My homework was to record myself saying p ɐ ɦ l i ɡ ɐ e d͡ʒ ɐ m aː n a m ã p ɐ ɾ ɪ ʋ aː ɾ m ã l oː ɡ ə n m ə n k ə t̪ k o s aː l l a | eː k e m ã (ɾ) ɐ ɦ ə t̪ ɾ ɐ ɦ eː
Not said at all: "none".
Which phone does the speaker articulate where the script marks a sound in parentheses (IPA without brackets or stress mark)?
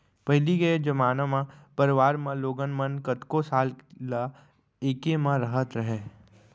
ɾ